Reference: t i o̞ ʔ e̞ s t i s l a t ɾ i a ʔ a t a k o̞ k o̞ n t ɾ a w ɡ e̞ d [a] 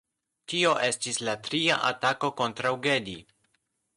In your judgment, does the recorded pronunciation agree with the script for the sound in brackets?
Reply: no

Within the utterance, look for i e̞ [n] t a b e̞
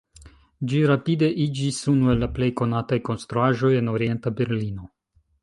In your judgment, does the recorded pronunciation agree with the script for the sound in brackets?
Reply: yes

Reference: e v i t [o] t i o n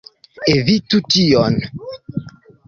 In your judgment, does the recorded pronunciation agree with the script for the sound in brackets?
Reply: no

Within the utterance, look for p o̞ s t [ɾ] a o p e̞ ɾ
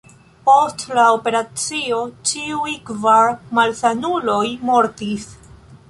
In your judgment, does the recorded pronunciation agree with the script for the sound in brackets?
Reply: no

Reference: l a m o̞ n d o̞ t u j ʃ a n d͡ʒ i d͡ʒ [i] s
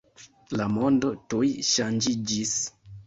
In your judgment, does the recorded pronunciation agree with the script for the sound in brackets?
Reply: yes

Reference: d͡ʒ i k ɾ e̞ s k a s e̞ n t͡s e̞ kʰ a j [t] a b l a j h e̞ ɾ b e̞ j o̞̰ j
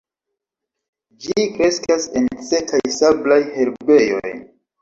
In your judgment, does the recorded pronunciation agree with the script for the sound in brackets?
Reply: no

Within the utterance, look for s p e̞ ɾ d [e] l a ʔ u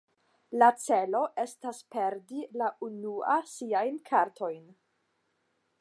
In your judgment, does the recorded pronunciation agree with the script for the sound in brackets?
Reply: no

